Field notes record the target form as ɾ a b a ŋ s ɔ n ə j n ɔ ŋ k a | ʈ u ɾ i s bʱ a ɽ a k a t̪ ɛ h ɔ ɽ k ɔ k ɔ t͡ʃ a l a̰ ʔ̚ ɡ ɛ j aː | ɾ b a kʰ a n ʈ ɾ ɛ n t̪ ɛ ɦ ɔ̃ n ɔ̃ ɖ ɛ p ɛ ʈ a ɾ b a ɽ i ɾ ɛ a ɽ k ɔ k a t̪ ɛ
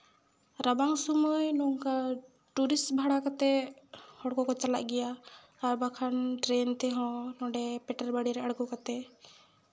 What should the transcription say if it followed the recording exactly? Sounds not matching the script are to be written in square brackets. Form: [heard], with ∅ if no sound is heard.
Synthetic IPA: ɾ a b a ŋ s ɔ [m] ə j n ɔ ŋ k a | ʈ u ɾ i s bʱ a ɽ a k a t̪ ɛ h ɔ ɽ k ɔ k ɔ t͡ʃ a l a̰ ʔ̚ ɡ ɛ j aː | ɾ b a kʰ a n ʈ ɾ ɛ n t̪ ɛ ɦ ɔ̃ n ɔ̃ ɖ ɛ p ɛ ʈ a ɾ b a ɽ i ɾ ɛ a ɽ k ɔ k a t̪ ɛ

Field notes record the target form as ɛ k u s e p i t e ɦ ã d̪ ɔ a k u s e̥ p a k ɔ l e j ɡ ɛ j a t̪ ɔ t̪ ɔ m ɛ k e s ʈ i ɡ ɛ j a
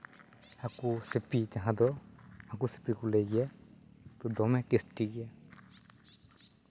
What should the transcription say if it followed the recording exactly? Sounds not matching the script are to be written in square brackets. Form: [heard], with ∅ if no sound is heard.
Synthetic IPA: [a] k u s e p i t [a] ɦ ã d̪ ɔ a k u s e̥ p [i] k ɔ l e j ɡ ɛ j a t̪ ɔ [d̪] ɔ m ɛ k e s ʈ i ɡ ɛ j a

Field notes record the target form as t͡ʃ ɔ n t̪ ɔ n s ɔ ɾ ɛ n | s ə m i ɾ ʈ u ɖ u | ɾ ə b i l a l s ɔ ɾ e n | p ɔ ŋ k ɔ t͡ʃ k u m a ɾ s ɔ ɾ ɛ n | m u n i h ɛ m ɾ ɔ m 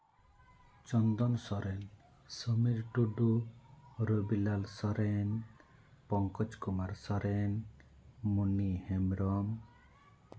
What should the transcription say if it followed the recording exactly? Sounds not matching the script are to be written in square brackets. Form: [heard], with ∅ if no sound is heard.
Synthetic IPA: t͡ʃ ɔ n [d̪] ɔ n s ɔ ɾ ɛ n | s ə m i ɾ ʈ u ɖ u | ɾ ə b i l a l s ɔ ɾ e n | p ɔ ŋ k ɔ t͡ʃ k u m a ɾ s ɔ ɾ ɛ n | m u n i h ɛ m ɾ ɔ m

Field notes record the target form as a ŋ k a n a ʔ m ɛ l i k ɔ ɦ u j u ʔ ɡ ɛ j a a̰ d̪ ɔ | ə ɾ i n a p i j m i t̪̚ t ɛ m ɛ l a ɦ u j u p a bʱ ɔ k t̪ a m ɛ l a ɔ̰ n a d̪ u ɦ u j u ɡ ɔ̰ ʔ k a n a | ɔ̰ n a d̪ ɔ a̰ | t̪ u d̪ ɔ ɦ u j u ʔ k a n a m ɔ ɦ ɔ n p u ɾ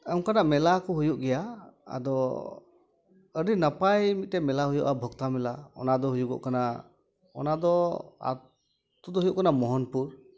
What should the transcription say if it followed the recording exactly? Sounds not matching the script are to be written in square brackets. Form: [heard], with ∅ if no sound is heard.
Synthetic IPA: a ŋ k a n a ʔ m ɛ l [a] k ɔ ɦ u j u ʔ ɡ ɛ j a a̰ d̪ ɔ | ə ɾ i n a p [a] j m i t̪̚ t ɛ m ɛ l a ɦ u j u [ʔ] a bʱ ɔ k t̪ a m ɛ l a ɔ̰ n a d̪ [ɔ] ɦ u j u ɡ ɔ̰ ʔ k a n a | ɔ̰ n a d̪ ɔ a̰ | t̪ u d̪ ɔ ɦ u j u ʔ k a n a m ɔ ɦ ɔ n p u ɾ

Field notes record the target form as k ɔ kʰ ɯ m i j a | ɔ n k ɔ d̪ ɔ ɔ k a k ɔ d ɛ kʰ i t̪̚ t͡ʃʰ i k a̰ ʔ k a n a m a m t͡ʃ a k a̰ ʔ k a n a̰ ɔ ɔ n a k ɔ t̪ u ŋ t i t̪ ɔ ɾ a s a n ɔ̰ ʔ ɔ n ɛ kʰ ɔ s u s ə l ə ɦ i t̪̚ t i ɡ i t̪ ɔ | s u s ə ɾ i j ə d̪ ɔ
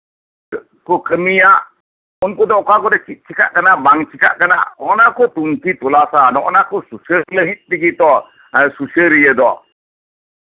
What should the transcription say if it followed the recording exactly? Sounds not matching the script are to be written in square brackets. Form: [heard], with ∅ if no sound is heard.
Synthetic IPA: k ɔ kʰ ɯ m i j a | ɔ n k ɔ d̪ ɔ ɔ k a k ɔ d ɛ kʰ i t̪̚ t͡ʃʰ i k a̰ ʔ k a n a [b] a [ŋ] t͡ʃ [i] k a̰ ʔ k a n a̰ ɔ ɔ n a k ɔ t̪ u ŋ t i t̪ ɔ [l] a s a n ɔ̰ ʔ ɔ n [a] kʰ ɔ s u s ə l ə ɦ i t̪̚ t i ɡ i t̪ ɔ | s u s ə ɾ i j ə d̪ ɔ

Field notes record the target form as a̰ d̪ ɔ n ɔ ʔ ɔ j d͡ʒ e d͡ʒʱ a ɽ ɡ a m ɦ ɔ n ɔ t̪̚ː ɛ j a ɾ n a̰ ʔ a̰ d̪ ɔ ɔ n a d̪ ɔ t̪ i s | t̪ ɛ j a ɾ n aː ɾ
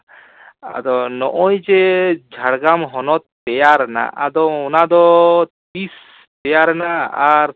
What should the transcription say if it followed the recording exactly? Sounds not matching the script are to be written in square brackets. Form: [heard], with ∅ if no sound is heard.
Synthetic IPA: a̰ d̪ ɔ n ɔ ʔ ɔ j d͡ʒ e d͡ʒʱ a ɽ ɡ a m ɦ ɔ n ɔ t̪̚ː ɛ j a ɾ n a̰ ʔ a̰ d̪ ɔ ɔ n a d̪ ɔ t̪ i s | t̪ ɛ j a ɾ n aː ɾ

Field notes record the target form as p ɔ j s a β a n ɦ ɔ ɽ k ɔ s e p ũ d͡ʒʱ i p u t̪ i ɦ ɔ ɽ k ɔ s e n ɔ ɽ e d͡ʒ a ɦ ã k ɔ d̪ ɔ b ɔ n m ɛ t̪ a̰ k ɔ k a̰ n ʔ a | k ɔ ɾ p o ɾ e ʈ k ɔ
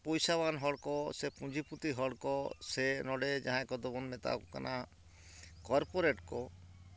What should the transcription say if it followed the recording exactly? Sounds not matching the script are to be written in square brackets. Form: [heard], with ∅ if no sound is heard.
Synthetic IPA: p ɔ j s a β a n ɦ ɔ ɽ k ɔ s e p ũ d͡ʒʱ i p u t̪ i ɦ ɔ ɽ k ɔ s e n ɔ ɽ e d͡ʒ a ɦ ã k ɔ d̪ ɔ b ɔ n m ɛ t̪ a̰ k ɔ k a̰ n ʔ a | k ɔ ɾ p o ɾ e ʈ k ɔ

